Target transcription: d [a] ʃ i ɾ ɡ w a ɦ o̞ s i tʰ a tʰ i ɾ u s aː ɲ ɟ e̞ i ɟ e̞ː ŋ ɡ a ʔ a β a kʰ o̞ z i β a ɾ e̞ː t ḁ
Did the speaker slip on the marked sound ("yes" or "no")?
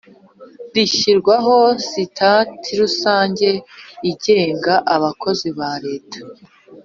yes